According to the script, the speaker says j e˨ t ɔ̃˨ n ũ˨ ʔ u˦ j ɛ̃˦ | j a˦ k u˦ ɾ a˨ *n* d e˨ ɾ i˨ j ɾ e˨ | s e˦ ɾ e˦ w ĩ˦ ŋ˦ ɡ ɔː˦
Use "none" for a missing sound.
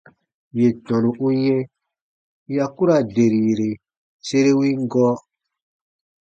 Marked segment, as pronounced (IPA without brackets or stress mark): none